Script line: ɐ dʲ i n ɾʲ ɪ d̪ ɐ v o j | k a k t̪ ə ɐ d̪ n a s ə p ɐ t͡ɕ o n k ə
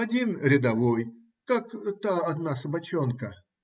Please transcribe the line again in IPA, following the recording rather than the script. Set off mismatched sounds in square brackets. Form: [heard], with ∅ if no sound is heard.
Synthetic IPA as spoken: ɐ dʲ i n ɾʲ ɪ d̪ ɐ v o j | k a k t̪ [a] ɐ d̪ n a s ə [b] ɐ t͡ɕ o n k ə